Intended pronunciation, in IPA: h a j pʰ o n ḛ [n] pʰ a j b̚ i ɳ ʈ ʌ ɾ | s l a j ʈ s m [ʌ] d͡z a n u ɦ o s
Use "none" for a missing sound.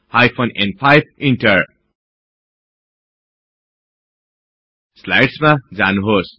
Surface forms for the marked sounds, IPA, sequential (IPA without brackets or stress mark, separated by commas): n, a